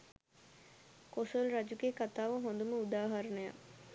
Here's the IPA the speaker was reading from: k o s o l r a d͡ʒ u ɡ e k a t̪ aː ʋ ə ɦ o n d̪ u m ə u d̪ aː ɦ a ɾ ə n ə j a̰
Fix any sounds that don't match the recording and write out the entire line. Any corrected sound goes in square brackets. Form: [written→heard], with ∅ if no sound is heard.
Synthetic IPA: k o s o l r a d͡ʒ u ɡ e k a t̪ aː ʋ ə ɦ o n d̪ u m ə u d̪ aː ɦ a ɾ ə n ə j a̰